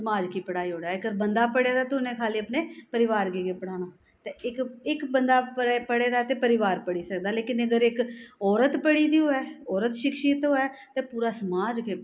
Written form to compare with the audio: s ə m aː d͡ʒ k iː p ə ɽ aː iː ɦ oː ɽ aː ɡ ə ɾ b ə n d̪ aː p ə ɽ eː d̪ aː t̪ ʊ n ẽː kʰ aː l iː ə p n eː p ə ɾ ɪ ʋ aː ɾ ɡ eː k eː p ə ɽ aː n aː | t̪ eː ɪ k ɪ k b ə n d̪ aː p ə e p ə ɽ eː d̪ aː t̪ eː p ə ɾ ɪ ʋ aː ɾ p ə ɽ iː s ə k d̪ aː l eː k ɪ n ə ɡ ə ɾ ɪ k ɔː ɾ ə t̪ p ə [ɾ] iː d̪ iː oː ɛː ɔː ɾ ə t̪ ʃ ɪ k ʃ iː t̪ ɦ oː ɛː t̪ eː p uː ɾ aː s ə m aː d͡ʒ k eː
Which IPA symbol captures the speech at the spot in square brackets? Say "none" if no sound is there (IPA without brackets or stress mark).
ɽ